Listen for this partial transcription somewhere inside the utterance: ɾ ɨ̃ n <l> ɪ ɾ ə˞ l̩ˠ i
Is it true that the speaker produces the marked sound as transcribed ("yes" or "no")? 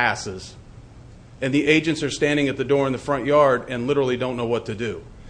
yes